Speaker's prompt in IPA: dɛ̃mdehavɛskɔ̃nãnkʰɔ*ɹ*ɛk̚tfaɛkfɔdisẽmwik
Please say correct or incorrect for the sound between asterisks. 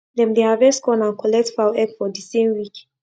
incorrect